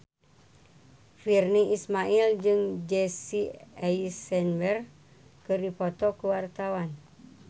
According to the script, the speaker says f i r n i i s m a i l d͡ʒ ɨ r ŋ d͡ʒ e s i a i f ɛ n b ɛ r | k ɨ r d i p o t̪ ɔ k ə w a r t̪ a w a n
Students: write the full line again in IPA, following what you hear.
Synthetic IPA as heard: f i r n i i s m a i l d͡ʒ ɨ ŋ d͡ʒ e s i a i s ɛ n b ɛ r | k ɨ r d i p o t̪ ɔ k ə w a r t̪ a w a n